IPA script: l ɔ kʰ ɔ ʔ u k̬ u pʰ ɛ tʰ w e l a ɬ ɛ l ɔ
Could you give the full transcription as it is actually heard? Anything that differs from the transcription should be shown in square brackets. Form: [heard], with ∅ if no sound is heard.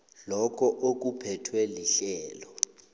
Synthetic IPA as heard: l ɔ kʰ ɔ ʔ [o] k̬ u pʰ ɛ tʰ w e l [i] ɬ [ɛː] l ɔ